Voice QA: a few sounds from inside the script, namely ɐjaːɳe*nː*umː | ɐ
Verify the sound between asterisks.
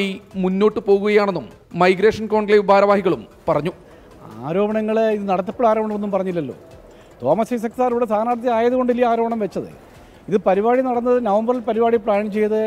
correct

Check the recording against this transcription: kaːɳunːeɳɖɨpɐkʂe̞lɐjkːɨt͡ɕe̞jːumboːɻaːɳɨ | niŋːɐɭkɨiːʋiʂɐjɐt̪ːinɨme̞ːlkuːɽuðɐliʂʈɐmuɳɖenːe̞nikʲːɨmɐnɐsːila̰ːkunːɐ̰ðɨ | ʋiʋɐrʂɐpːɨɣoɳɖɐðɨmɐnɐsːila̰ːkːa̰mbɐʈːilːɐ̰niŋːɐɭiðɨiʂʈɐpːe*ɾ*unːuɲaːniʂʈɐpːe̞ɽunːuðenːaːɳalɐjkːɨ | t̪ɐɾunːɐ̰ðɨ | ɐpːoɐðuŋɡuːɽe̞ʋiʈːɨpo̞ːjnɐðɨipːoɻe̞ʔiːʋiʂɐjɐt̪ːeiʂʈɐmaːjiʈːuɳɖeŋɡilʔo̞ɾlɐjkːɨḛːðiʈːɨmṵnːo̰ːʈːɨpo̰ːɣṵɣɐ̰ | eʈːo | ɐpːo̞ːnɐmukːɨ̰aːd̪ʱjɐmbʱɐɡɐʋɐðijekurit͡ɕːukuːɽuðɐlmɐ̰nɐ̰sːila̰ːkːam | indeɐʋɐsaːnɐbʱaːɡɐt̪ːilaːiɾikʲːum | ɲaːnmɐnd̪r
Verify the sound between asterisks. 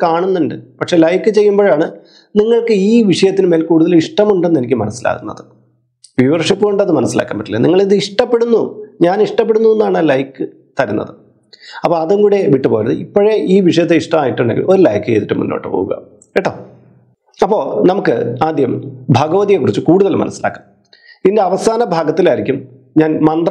incorrect: ɽ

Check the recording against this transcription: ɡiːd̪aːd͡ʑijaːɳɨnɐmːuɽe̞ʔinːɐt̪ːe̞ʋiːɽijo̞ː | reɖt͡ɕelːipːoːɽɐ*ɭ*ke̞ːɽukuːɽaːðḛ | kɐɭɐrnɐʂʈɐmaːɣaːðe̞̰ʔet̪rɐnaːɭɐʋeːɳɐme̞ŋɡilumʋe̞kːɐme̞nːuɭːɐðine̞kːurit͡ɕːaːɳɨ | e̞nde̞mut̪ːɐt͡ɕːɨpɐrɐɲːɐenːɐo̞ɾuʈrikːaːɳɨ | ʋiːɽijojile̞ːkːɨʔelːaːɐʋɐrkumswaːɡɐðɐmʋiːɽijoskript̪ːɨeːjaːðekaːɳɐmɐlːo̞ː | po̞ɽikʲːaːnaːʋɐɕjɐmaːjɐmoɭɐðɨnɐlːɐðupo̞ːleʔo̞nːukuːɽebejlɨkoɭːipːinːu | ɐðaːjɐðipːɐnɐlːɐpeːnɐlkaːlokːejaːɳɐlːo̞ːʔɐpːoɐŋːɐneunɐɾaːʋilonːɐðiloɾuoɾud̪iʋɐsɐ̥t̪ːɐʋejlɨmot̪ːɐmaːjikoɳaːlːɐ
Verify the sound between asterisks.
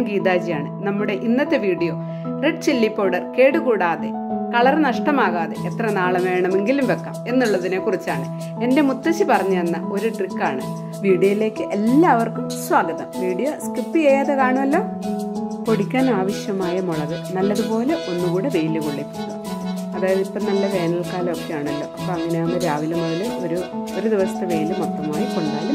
incorrect: r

